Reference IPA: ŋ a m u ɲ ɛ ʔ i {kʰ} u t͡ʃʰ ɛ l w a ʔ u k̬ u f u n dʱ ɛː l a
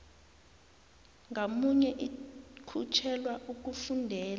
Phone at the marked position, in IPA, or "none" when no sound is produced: kʰ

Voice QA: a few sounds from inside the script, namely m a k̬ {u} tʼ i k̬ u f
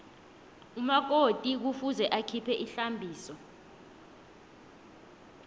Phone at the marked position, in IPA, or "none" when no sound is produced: o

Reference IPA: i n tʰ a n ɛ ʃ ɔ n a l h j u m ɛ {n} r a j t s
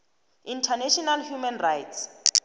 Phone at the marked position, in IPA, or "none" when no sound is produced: n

